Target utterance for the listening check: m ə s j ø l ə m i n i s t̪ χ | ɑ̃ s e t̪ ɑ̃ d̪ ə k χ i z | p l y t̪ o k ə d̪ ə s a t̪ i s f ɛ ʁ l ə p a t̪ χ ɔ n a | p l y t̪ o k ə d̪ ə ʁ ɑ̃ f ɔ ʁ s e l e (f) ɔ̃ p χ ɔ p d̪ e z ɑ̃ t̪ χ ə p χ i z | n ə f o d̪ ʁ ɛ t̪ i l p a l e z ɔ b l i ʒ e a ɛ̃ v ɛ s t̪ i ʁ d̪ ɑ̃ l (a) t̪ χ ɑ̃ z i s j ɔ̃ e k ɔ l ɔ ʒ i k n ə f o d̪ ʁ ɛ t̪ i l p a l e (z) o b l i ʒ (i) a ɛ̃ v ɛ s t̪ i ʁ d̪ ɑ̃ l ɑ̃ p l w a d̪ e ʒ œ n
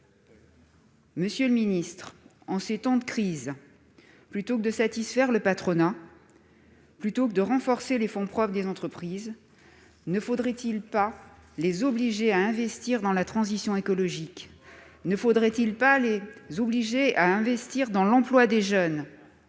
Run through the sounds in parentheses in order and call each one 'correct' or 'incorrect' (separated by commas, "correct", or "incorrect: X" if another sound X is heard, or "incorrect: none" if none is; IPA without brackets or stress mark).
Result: correct, correct, correct, incorrect: e